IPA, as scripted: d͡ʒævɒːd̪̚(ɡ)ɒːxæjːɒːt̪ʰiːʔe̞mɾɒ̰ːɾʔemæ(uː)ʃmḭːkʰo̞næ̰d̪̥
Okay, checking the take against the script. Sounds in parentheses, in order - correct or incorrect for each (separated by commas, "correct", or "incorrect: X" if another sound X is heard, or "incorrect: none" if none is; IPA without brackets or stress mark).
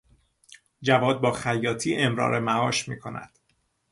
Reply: incorrect: b, incorrect: ɒː